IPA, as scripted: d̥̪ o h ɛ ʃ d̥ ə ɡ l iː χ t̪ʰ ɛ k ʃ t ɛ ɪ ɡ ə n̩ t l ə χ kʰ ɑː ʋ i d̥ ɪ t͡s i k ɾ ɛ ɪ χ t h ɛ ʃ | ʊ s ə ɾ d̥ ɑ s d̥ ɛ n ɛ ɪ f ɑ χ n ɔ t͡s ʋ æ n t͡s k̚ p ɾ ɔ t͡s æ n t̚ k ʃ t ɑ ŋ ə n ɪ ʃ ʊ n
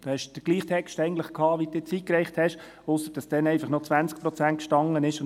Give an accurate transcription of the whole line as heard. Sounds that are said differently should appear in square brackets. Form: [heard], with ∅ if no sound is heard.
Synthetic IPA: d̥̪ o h ɛ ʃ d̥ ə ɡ l iː χ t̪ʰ ɛ k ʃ t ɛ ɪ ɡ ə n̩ t l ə χ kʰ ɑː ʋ i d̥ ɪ t͡s i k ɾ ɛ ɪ χ t h ɛ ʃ | ʊ s ə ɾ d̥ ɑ s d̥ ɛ n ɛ ɪ f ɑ χ n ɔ t͡s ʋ æ n t͡s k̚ p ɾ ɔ t͡s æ n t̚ k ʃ t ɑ ŋ ə n ɪ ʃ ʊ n